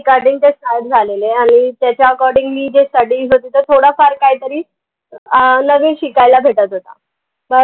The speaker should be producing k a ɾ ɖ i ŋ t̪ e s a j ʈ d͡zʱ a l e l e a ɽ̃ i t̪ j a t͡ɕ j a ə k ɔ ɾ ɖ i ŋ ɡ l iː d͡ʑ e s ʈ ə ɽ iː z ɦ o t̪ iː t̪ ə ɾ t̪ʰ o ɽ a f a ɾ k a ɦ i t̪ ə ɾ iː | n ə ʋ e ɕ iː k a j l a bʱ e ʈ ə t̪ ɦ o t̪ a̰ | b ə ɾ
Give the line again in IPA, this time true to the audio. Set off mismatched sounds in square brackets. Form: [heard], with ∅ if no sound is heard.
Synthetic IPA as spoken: k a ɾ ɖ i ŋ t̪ e s a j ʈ d͡zʱ a l e l e a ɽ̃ i t̪ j a t͡ɕ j a ə k ɔ ɾ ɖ i ŋ ɡ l iː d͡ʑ e s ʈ ə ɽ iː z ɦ o t̪ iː t̪ ə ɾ t̪ʰ o ɽ a f a ɾ k a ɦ i t̪ ə ɾ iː | n ə ʋ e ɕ [i] k a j l a bʱ e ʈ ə t̪ ɦ o t̪ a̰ | b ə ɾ

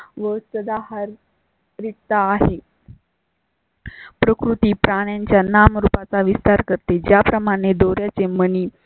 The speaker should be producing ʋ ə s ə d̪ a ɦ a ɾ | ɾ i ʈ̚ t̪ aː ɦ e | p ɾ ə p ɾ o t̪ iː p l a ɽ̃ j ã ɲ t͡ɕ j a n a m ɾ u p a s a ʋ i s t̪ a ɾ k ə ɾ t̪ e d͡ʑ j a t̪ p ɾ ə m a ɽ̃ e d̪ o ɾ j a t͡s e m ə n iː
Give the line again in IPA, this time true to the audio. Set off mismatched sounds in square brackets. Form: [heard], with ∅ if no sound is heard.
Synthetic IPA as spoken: ʋ ə s ə d̪ a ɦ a ɾ | ɾ i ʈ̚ t̪ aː ɦ e | p ɾ ə [k] ɾ [u] t̪ iː p [ɾ] a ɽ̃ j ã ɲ t͡ɕ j a n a m ɾ u p a [t͡s] a ʋ i s t̪ a ɾ k ə ɾ t̪ e d͡ʑ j a [∅] p ɾ ə m a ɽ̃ e d̪ o ɾ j a t͡s e m ə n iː

